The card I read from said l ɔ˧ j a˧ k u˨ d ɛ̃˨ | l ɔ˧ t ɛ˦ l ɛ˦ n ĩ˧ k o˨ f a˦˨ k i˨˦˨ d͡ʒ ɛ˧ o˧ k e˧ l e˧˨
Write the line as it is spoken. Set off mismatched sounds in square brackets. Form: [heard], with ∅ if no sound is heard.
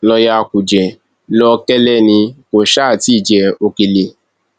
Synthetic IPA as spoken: l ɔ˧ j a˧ k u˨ [d͡ʒ] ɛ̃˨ | l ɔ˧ [k] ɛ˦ l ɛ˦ n ĩ˧ k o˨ [ʃ] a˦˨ [t] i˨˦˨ d͡ʒ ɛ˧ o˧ k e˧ l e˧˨